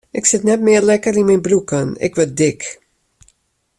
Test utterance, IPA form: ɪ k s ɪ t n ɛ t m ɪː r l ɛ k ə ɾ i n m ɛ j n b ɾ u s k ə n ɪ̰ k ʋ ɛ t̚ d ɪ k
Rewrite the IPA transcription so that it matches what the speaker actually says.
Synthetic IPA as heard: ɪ k s ɪ t n ɛ t m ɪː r l ɛ k ə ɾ i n m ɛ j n b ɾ u k ə n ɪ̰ k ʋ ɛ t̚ d ɪ k